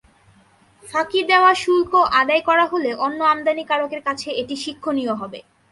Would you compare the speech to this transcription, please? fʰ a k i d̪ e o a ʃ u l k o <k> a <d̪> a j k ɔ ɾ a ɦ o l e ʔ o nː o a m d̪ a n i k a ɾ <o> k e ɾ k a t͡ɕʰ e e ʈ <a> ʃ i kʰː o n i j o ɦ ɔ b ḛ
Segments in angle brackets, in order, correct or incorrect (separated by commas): incorrect, correct, correct, incorrect